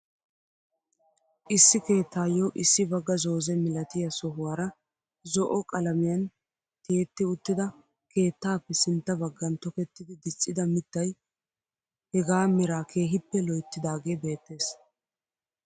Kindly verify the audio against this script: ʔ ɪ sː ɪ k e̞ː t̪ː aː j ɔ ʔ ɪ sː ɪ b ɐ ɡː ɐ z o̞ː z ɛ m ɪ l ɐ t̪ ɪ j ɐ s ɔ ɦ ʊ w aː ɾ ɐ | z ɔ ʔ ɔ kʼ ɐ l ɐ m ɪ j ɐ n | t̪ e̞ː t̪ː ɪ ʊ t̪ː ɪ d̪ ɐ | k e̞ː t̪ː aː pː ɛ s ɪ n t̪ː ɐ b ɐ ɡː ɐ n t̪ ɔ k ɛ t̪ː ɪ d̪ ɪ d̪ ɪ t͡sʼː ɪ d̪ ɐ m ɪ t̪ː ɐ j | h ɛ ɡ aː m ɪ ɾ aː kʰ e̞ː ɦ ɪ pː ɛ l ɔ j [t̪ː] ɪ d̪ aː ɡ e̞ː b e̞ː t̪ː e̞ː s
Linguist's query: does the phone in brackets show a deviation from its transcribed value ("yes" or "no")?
no